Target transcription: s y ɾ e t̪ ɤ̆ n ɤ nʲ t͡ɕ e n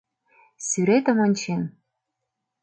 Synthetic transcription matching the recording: s y ɾ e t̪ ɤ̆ m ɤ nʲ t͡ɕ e n

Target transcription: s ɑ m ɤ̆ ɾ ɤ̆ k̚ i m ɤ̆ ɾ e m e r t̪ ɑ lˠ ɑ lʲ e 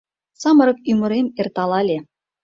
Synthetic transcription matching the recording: s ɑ m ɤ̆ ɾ ɤ̆ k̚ y m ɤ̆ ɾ e m e r t̪ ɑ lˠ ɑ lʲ e

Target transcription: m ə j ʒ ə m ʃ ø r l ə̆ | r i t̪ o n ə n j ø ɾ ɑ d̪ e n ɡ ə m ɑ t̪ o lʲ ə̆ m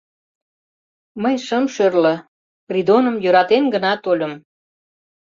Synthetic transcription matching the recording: m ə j ʃ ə m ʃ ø r l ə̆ | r i d̪ o n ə m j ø ɾ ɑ t̪ e n ɡ ə n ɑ t̪ o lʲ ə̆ m

